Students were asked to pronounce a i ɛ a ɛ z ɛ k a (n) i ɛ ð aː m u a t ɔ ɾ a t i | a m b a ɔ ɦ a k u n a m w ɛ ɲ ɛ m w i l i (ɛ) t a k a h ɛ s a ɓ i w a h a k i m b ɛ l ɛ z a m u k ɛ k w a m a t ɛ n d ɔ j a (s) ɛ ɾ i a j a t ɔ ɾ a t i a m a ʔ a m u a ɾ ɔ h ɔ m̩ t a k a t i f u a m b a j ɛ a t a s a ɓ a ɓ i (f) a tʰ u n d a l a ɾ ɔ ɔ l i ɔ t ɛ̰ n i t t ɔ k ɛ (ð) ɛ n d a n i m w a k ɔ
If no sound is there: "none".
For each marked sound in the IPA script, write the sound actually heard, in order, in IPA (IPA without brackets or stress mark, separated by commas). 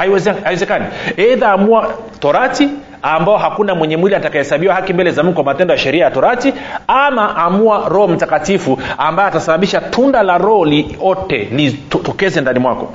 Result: n, a, ʃ, ʃ, z